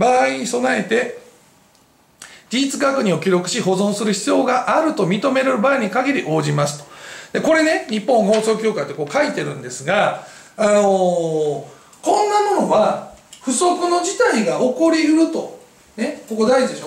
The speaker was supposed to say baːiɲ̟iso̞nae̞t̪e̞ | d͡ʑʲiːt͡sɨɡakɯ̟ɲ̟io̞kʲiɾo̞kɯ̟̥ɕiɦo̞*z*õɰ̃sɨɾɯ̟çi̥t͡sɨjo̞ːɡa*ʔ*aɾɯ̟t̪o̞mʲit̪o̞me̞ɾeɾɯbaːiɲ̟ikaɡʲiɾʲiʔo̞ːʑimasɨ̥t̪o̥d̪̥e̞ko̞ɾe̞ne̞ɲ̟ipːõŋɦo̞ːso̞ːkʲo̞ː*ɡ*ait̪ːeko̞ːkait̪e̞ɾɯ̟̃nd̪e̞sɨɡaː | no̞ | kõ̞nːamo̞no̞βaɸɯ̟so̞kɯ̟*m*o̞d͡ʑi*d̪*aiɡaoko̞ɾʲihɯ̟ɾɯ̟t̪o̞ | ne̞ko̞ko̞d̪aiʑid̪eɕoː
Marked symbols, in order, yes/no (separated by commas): yes, yes, no, no, no